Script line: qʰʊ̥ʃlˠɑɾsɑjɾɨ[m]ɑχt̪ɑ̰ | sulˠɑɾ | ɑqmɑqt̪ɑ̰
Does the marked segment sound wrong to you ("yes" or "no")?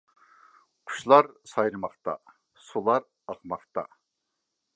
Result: no